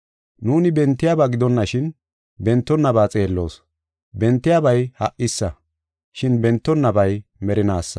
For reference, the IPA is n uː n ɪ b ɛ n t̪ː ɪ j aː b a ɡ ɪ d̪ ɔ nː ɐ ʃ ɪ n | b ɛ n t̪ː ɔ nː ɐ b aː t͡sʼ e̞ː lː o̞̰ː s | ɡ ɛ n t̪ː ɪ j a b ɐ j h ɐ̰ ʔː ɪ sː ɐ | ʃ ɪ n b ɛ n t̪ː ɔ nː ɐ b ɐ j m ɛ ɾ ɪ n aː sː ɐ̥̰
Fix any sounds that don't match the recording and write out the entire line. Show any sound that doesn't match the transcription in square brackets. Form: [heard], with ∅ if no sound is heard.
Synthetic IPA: n uː n ɪ b ɛ n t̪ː ɪ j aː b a ɡ ɪ d̪ ɔ nː ɐ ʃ ɪ n | b ɛ n t̪ː ɔ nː ɐ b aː t͡sʼ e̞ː lː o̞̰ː s | [b] ɛ n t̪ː ɪ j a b ɐ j h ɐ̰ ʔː ɪ sː ɐ | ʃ ɪ n b ɛ n t̪ː ɔ nː ɐ b ɐ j m ɛ ɾ ɪ n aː sː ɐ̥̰